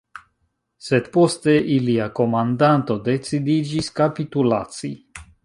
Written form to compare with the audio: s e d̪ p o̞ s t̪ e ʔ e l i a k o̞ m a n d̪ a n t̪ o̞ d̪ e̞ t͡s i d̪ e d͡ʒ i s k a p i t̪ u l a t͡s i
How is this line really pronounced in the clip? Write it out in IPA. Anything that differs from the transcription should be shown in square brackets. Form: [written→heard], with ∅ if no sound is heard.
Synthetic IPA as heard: s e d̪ p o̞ s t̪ e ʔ [e→i] l i a k o̞ m a n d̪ a n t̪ o̞ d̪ e̞ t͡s i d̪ [e→i] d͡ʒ i s k a p i t̪ u l a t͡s i